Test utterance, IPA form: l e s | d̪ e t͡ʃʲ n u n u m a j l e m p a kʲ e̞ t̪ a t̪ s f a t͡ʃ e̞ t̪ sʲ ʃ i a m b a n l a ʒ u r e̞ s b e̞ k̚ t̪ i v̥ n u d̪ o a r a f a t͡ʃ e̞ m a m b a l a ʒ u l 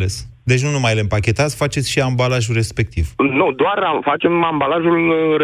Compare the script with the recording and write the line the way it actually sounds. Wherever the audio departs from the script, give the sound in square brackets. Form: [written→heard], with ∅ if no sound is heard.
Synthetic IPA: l e s | d̪ e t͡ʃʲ n u n u m a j l e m p a kʲ e̞ t̪ a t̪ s f a t͡ʃ e̞ t̪ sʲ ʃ i a m b a [n→∅] l a ʒ u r e̞ s [b→p] e̞ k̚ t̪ i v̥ n u d̪ o a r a f a t͡ʃ e̞ m a m b a l a ʒ u l